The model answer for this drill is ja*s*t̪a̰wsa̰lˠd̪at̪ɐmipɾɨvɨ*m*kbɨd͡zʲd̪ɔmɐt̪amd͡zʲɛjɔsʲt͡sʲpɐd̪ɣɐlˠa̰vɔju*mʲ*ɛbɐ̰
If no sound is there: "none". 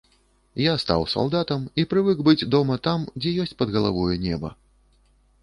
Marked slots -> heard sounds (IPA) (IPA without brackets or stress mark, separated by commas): s, none, nʲ